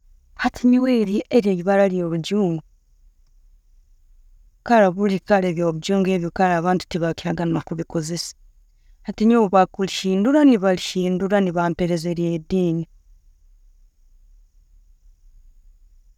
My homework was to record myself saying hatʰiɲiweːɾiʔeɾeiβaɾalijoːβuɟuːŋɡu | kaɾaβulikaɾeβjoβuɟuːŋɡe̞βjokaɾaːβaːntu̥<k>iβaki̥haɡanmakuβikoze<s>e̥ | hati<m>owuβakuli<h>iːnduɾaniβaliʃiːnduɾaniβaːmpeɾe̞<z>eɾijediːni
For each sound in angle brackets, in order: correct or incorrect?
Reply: incorrect: t, correct, incorrect: ɲ, incorrect: ʃ, correct

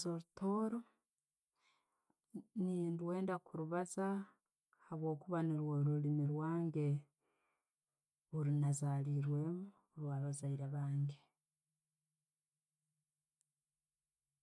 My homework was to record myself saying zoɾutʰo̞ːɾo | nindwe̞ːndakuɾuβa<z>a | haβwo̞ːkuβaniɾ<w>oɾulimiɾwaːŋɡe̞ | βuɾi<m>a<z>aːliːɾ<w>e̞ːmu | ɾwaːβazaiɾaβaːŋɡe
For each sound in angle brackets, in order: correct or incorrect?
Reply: correct, correct, incorrect: n, correct, correct

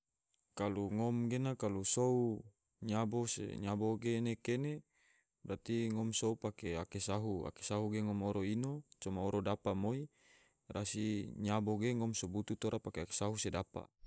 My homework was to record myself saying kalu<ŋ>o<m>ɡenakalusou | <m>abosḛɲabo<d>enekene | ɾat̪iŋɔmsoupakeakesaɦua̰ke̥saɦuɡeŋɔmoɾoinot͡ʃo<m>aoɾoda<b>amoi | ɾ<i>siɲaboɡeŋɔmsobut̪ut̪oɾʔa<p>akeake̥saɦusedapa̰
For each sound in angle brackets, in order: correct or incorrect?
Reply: correct, correct, incorrect: ɲ, incorrect: ɡ, correct, incorrect: p, incorrect: a, correct

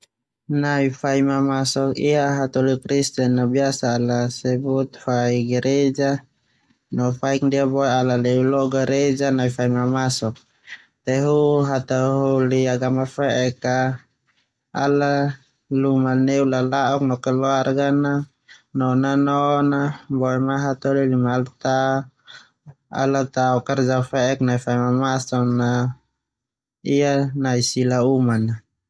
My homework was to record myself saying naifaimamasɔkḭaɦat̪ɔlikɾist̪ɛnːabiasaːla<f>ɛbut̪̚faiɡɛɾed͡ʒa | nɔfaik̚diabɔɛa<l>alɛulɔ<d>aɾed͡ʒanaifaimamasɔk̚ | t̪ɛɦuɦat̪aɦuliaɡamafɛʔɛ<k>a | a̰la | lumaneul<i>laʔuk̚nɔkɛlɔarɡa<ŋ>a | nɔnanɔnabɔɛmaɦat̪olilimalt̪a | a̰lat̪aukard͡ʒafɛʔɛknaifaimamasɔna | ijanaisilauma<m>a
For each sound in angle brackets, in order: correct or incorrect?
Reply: incorrect: s, correct, incorrect: ɡ, correct, incorrect: a, incorrect: n, incorrect: n

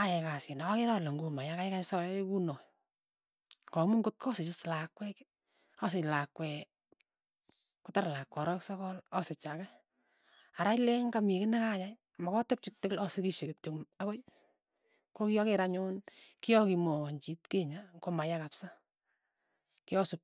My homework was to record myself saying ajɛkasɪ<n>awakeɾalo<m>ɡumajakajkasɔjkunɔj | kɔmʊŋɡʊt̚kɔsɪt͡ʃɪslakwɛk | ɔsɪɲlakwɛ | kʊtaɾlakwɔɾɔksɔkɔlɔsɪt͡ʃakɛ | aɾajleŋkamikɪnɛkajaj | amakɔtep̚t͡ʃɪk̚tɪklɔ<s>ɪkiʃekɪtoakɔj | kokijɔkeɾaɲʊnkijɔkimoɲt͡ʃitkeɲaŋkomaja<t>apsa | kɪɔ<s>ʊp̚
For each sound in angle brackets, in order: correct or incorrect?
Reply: correct, incorrect: ŋ, correct, incorrect: k, correct

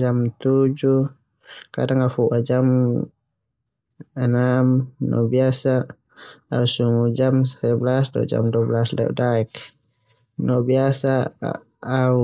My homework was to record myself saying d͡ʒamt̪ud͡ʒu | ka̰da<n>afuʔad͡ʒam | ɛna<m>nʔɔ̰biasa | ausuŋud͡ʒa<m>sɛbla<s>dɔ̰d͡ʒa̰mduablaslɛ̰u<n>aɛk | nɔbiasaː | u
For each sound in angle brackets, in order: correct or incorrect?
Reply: incorrect: ŋ, correct, correct, correct, incorrect: d

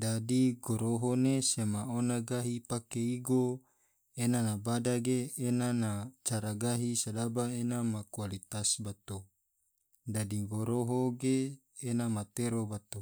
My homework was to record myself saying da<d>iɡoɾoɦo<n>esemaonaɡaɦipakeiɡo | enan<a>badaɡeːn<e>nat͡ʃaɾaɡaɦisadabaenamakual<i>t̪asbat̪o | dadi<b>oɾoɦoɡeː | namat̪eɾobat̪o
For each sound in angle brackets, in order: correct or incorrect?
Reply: correct, correct, correct, incorrect: a, correct, incorrect: ɡ

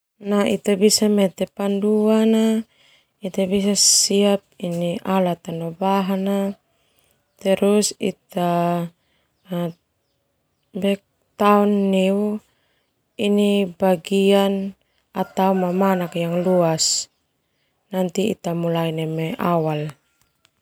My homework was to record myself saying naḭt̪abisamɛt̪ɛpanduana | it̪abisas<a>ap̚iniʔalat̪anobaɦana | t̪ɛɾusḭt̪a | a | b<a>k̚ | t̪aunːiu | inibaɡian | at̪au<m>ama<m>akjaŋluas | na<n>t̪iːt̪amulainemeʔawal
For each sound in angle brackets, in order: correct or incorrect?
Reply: incorrect: i, incorrect: ɛ, correct, incorrect: n, correct

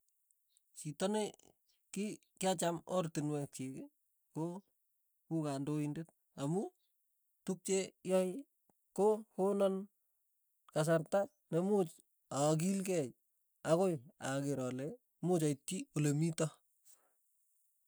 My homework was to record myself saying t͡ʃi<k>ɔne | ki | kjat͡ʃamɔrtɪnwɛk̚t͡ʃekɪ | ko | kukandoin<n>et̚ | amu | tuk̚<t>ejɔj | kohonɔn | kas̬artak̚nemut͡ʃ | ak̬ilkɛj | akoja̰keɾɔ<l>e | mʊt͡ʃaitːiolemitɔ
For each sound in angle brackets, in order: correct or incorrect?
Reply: incorrect: t, incorrect: d, incorrect: t͡ʃ, correct

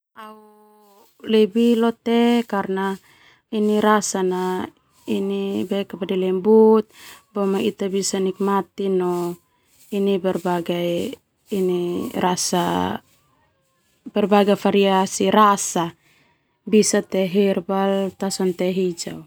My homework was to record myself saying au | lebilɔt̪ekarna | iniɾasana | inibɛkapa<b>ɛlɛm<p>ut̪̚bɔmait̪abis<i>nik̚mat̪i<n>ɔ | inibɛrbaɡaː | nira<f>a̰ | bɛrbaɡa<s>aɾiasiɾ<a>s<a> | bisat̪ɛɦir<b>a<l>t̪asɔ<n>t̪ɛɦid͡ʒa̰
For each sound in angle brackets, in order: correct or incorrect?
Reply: incorrect: d, incorrect: b, incorrect: a, correct, incorrect: s, incorrect: f, correct, correct, correct, correct, correct

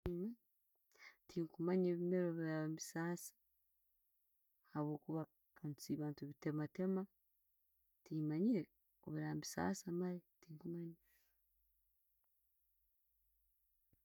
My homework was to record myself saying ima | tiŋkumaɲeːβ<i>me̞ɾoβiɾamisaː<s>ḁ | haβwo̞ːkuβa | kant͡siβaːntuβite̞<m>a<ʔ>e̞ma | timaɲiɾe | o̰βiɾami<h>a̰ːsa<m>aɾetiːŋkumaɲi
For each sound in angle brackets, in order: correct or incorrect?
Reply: correct, correct, correct, incorrect: t, incorrect: s, correct

